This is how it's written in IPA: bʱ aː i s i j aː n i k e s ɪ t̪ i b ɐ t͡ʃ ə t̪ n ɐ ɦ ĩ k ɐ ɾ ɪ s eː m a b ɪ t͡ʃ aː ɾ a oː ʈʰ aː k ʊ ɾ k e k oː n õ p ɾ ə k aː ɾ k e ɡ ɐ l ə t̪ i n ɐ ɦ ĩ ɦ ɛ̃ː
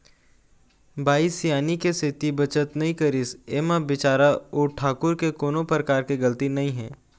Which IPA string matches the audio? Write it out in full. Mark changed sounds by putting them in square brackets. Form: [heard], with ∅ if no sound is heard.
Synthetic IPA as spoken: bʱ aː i s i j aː n i k e s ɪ t̪ i b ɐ t͡ʃ ə t̪ n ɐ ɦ ĩ k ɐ ɾ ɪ s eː m a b ɪ t͡ʃ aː ɾ a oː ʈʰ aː k ʊ ɾ k e k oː n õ p ɾ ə k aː ɾ k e ɡ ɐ l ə t̪ i n ɐ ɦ ĩ ɦ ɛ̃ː